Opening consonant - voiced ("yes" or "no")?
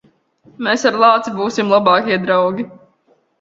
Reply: yes